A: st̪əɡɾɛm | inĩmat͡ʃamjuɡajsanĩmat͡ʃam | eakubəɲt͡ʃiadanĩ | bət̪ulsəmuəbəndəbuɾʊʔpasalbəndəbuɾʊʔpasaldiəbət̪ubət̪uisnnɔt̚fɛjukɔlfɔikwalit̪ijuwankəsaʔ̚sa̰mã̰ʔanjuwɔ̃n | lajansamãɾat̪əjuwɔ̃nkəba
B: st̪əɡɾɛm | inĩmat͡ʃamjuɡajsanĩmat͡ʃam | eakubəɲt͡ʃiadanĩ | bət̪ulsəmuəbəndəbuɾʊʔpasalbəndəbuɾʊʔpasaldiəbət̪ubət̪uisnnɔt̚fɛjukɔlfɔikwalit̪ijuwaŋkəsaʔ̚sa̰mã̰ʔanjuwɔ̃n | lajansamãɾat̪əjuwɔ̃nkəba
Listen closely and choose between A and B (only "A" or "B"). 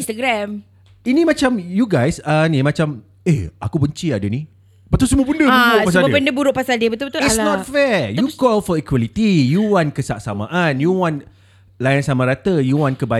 A